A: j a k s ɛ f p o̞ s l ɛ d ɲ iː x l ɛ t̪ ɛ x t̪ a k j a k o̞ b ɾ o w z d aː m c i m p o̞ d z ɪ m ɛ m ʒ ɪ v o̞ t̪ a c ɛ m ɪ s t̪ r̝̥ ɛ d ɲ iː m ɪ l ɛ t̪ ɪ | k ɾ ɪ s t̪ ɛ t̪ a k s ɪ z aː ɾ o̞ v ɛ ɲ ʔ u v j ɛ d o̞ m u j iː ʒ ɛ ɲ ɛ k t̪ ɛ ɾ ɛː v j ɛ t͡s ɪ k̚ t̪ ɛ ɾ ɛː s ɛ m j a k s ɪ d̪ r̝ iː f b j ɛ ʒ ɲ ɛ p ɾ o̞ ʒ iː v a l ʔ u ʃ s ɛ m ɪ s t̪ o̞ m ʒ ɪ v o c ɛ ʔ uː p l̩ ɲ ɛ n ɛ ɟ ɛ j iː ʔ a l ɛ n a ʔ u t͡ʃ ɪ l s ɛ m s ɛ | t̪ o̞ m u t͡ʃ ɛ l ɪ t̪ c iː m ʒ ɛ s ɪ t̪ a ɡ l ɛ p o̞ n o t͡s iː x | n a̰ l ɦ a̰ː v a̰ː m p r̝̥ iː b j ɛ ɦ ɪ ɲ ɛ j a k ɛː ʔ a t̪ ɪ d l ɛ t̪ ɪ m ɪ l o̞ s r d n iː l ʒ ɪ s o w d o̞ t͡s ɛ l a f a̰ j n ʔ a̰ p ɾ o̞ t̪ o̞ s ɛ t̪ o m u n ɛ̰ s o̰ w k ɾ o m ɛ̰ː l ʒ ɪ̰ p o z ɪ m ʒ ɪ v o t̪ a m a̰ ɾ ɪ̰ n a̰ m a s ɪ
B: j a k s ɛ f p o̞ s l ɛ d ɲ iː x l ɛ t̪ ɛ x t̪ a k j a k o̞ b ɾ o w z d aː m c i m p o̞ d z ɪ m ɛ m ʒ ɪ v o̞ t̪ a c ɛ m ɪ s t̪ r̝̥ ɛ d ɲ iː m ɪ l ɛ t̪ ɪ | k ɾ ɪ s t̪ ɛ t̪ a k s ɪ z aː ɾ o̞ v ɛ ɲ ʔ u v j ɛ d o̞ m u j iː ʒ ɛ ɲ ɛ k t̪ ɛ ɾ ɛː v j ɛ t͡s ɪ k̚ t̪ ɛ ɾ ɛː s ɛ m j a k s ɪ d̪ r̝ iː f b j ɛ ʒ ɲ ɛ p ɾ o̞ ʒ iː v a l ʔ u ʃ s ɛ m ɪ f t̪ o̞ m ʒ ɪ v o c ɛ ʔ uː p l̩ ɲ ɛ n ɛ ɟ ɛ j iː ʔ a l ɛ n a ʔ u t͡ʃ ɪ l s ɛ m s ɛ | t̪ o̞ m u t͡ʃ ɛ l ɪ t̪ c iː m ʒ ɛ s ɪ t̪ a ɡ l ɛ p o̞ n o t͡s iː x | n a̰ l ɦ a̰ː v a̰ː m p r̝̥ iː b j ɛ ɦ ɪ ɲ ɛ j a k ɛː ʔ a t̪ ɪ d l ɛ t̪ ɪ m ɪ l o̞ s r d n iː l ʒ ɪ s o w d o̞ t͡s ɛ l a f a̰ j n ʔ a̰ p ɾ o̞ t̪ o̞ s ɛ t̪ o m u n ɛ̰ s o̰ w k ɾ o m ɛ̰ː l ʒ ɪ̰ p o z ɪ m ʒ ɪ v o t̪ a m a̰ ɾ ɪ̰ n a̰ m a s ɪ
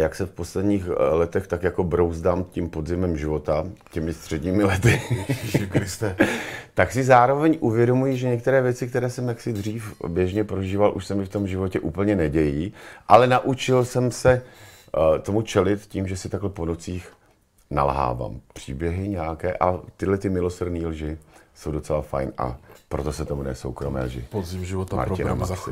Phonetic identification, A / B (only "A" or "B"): B